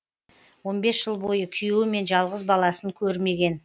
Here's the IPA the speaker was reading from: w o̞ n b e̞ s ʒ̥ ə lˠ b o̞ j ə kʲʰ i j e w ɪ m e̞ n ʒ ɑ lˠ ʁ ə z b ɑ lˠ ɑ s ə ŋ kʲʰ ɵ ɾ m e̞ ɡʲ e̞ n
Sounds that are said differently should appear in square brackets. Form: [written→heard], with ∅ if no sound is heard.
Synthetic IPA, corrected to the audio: w o̞ n b e̞ s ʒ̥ ə lˠ b o̞ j ə kʲʰ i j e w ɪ m e̞ n ʒ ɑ lˠ ʁ ə z b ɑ lˠ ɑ s ə ŋ kʲʰ ɵ ɾ m e̞ ɡʲ e̞ n

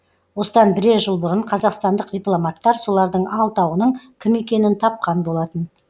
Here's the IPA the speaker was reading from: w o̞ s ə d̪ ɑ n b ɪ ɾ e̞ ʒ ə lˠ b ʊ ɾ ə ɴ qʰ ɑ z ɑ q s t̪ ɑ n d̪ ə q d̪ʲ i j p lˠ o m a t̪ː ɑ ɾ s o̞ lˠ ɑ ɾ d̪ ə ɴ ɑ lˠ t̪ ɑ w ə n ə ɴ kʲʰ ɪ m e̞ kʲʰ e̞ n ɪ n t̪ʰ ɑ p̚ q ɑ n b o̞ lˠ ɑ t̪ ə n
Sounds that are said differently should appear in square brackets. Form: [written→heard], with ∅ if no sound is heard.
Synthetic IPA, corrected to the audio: w o̞ s ə d̪ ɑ n b ɪ ɾ e̞ ʒ ə lˠ b ʊ ɾ ə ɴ qʰ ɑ z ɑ q s t̪ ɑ n d̪ ə q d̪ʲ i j p lˠ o m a t̪ː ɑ ɾ s o̞ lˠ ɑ ɾ d̪ ə ɴ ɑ lˠ t̪ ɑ w ə n ə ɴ kʲʰ ɪ m e̞ [kʲʰ→kʲ] e̞ n ɪ n t̪ʰ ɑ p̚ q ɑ n b o̞ lˠ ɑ t̪ ə n

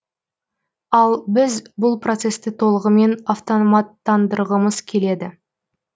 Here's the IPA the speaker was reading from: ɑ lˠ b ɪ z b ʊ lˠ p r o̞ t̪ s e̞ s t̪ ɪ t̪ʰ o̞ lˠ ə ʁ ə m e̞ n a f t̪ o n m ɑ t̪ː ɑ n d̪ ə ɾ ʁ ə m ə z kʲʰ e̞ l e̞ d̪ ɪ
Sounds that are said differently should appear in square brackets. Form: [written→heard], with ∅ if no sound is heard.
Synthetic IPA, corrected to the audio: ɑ lˠ b ɪ z b ʊ lˠ p r o̞ t̪ s e̞ s t̪ ɪ t̪ʰ o̞ lˠ ə ʁ ə m e̞ n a f t̪ o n m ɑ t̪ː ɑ n d̪ ə ɾ ʁ ə m ə z kʲʰ e̞ l e̞ d̪ ɪ

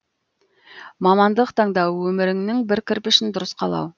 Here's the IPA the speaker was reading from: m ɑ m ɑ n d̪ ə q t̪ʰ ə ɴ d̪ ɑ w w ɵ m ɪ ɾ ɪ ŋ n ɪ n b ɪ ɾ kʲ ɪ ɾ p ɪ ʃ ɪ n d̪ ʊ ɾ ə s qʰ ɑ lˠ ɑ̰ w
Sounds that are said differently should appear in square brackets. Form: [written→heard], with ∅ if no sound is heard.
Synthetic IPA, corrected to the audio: m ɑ m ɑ n d̪ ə q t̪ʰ [ə→ɑ] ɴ d̪ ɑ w w ɵ m ɪ ɾ ɪ ŋ n ɪ [n→ŋ] b ɪ ɾ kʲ ɪ ɾ p ɪ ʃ ɪ n d̪ ʊ ɾ ə s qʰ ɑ lˠ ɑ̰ w

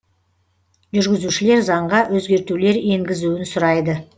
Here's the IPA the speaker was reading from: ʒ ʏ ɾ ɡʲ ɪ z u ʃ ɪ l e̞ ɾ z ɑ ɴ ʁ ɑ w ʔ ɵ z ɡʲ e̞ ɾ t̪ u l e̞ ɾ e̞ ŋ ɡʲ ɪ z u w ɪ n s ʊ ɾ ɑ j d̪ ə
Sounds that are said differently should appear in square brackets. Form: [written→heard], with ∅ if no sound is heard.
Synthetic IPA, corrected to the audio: ʒ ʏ ɾ ɡʲ ɪ z u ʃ ɪ l e̞ ɾ z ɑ ɴ ʁ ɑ w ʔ ɵ z ɡʲ e̞ ɾ t̪ u l e̞ ɾ e̞ ŋ ɡʲ ɪ z u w ɪ n s ʊ ɾ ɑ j d̪ ə

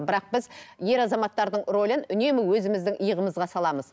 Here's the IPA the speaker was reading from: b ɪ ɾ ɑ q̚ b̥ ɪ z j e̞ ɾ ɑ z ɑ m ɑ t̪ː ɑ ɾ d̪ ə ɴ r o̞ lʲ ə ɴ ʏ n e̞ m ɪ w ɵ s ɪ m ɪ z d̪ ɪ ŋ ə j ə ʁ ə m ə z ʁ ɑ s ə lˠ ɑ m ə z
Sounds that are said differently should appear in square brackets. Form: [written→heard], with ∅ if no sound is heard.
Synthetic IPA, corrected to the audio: b ɪ ɾ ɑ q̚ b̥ ɪ z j e̞ ɾ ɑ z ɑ m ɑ t̪ː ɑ ɾ d̪ ə ɴ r o̞ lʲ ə [ɴ→n] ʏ n e̞ m ɪ w ɵ [s→z] ɪ m ɪ z d̪ ɪ ŋ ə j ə ʁ ə m ə z ʁ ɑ s [ə→ɑ] lˠ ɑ m ə z

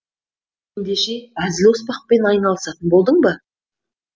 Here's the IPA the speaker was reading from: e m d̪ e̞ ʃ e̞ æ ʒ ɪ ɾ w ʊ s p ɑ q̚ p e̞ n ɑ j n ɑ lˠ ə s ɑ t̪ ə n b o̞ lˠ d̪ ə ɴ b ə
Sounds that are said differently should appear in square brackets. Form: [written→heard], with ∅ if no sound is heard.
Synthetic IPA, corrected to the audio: e [m→n] d̪ e̞ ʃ e̞ æ [ʒ→z] ɪ [ɾ→l] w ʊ s p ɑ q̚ p e̞ n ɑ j n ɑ lˠ ə s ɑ t̪ ə n b o̞ lˠ d̪ ə ɴ b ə

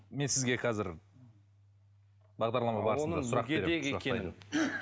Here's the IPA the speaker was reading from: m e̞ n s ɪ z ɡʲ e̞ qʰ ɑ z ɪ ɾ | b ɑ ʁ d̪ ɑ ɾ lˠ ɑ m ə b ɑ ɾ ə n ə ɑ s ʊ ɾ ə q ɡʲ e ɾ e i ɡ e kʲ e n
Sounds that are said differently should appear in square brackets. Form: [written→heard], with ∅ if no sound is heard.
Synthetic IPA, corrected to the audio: m e̞ n s ɪ z ɡʲ e̞ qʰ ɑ z ɪ ɾ | b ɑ ʁ d̪ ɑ ɾ lˠ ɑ m [ə→ɑ] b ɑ ɾ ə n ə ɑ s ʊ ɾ [ə→ɑ] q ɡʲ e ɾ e [i→e] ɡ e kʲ e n

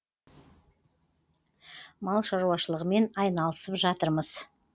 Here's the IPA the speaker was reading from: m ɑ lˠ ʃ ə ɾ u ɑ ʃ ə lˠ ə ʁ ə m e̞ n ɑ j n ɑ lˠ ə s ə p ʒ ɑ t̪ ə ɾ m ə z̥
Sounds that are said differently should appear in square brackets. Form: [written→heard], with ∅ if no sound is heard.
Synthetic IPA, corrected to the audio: m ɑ lˠ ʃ [ə→ɑ] ɾ u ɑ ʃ ə lˠ ə ʁ ə m e̞ n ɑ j n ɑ lˠ ə s ə p ʒ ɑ t̪ ə ɾ m ə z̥

